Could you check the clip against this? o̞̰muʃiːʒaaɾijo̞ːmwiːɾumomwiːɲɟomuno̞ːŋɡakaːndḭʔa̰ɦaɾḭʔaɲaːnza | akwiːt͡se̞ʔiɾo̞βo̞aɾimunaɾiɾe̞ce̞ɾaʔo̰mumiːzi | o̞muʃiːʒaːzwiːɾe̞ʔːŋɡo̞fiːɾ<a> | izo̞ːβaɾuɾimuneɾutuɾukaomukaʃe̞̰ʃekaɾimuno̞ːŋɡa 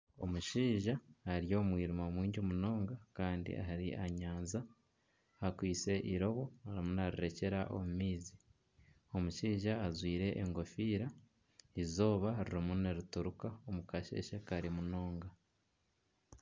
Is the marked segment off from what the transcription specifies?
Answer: no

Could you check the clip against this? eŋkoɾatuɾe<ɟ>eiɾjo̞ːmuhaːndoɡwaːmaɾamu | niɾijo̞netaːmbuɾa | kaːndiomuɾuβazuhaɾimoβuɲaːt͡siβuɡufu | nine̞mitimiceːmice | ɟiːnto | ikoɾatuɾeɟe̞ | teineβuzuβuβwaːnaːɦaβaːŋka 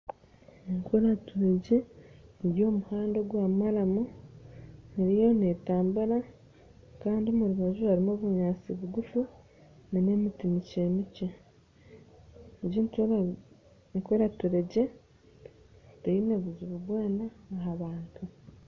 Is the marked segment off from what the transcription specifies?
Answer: no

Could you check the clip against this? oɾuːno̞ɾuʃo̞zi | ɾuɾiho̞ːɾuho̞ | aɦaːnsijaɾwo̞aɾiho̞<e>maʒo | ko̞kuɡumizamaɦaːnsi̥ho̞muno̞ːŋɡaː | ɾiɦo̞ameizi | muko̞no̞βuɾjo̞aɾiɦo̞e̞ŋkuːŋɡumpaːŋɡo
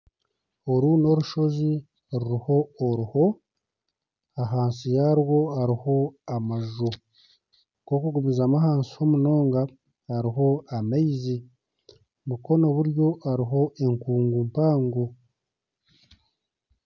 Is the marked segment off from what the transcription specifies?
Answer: yes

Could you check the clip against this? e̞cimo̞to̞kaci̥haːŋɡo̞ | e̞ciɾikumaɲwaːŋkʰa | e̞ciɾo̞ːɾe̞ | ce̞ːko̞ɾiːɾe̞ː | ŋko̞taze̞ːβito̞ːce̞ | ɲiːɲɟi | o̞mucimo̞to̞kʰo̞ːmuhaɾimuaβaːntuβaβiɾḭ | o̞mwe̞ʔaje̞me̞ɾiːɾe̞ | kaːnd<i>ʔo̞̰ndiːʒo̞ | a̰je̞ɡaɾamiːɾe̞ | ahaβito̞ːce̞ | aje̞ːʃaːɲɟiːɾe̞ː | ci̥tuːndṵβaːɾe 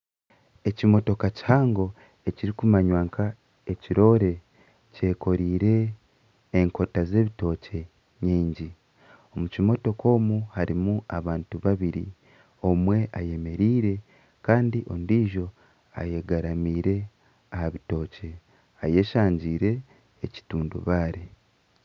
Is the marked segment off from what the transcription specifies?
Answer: no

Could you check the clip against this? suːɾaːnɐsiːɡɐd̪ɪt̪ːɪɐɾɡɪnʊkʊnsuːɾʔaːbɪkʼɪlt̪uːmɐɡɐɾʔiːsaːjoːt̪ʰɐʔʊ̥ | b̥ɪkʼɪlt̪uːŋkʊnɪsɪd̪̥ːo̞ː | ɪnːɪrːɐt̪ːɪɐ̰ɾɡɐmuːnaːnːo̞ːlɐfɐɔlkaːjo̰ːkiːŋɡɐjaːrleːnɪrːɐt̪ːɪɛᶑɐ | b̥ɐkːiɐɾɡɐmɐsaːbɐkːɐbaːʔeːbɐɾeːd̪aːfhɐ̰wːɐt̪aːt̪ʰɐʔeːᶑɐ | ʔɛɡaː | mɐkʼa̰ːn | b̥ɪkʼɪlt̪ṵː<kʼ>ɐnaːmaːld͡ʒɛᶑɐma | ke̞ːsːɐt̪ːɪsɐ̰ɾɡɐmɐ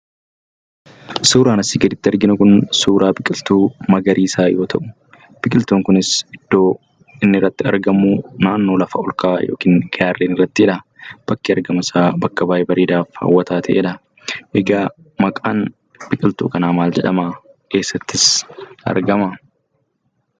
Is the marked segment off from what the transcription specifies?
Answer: yes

